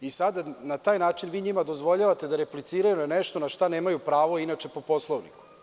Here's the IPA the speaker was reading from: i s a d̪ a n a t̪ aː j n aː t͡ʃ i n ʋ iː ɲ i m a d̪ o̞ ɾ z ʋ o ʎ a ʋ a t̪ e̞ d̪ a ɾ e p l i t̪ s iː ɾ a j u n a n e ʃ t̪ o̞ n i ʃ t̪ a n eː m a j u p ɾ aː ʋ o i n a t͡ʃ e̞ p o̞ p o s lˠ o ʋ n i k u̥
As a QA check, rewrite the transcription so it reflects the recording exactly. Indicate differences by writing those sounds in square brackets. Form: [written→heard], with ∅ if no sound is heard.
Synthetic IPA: i s a d̪ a n a t̪ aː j n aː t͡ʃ i n ʋ iː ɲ i m a d̪ o̞ [ɾ→∅] z ʋ o ʎ a ʋ a t̪ e̞ d̪ a ɾ e p l i t̪ s iː ɾ a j u n a n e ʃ t̪ o̞ n [i→a] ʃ t̪ a n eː m a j u p ɾ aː ʋ o i n a t͡ʃ e̞ p o̞ p o s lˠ o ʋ n i k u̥